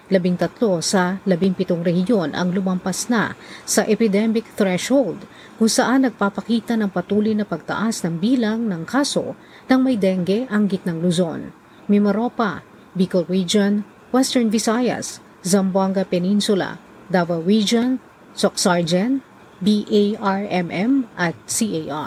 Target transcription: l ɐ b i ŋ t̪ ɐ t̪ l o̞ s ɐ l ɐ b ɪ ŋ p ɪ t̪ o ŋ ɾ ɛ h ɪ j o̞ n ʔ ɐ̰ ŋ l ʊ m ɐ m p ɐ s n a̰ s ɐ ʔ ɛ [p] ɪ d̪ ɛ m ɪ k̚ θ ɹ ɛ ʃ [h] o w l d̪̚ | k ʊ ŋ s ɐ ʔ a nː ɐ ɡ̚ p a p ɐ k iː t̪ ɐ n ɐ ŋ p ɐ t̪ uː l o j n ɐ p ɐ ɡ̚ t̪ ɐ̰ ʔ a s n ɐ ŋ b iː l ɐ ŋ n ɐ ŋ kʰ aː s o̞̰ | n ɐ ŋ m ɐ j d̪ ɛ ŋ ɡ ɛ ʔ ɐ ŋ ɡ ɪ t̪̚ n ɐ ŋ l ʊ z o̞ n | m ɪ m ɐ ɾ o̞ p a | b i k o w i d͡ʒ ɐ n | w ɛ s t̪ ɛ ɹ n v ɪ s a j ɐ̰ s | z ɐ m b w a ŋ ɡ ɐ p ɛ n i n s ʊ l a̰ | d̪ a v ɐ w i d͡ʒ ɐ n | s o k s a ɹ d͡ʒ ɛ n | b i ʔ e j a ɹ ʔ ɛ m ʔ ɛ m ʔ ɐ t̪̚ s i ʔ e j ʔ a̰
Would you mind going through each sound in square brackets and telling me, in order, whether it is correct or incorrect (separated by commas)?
correct, correct